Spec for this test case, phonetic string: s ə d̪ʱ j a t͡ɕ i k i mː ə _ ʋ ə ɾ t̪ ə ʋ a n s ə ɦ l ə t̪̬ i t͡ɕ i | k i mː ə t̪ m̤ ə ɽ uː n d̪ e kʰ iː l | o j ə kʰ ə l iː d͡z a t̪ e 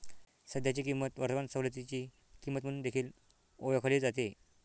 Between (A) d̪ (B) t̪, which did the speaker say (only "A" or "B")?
B